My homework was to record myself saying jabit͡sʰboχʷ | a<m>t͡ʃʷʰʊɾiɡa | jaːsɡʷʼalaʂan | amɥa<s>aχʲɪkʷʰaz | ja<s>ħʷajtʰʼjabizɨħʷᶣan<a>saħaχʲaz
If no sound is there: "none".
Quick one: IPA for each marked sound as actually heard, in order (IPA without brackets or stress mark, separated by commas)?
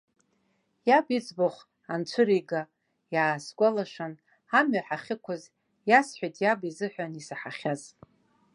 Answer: n, ħ, s, i